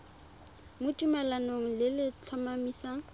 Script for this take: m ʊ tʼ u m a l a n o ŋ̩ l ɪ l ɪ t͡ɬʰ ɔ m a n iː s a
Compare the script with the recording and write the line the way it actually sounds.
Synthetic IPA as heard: m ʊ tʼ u m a l a n o ŋ̩ l ɪ l ɪ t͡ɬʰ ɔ m a m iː s a